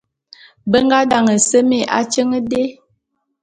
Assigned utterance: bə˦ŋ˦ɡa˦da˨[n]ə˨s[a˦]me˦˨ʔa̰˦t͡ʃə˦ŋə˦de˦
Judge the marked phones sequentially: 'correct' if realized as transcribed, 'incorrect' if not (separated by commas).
incorrect, incorrect